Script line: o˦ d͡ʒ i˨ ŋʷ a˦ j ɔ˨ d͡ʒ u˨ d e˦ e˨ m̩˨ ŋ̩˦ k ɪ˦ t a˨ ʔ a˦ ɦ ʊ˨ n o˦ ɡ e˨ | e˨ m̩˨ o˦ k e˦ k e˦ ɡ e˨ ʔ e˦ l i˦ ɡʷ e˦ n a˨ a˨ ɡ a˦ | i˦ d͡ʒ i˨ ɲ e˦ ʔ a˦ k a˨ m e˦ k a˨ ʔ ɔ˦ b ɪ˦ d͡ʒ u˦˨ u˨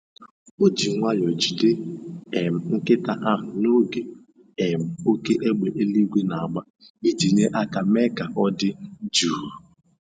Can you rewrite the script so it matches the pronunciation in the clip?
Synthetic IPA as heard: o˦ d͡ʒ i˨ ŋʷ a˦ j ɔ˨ d͡ʒ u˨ d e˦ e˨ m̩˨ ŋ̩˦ k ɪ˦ t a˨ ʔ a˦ ɦ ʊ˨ n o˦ ɡ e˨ | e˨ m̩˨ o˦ k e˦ ʔ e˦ ɡ͡b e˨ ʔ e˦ l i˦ ɡʷ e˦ n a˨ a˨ ɡ͡b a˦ | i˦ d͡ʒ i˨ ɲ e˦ ʔ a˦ k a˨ m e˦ k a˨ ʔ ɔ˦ d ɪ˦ d͡ʒ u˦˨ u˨